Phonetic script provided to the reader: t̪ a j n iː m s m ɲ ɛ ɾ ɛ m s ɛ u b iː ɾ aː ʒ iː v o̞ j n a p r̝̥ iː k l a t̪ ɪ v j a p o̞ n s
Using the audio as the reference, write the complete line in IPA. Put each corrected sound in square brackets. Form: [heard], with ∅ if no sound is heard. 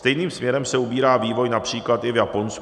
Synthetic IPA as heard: t̪ [ɛ] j n iː m s m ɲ ɛ ɾ ɛ m s ɛ u b iː ɾ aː [v] iː v o̞ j n a p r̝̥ iː k l a t̪ ɪ v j a p o̞ n s